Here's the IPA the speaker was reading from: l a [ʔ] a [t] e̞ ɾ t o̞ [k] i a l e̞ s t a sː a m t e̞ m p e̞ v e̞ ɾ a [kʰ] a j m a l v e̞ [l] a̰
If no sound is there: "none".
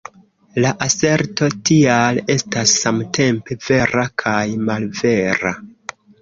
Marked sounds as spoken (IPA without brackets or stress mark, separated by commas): ʔ, s, t, kʰ, ɾ